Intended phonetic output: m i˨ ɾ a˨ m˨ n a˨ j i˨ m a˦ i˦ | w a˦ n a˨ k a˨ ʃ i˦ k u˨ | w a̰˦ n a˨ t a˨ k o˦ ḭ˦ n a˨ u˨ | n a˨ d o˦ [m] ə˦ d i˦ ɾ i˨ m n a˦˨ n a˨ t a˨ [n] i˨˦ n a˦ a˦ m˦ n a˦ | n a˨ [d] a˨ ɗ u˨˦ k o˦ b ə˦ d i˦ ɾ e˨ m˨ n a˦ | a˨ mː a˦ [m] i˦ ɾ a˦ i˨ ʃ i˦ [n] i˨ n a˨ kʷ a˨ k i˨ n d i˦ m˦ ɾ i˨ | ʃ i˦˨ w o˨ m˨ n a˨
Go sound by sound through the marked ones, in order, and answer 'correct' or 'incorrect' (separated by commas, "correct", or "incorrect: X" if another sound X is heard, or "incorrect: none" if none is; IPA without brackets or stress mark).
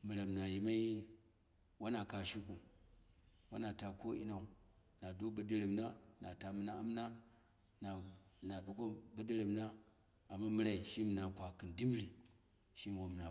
incorrect: b, incorrect: m, incorrect: n, correct, incorrect: m